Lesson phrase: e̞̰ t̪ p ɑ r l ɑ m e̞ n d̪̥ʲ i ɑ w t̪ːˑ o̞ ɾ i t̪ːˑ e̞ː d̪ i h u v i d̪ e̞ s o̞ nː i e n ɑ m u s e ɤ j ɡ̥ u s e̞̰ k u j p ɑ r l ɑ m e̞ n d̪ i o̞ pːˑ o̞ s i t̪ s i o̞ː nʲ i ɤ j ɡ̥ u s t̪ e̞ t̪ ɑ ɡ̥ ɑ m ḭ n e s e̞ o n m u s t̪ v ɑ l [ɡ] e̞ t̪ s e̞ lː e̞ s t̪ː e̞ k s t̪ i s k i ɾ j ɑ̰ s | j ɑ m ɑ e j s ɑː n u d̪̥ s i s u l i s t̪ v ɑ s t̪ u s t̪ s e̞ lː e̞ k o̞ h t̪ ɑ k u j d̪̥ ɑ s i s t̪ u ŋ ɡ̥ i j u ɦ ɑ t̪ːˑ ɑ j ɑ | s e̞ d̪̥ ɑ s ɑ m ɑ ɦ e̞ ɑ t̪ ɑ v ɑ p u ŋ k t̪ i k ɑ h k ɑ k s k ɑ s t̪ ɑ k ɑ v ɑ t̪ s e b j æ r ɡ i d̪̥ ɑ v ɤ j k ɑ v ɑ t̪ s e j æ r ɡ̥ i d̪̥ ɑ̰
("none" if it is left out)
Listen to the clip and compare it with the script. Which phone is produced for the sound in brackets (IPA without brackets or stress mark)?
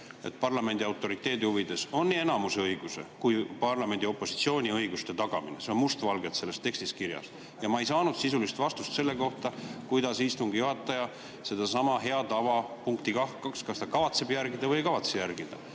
ɡ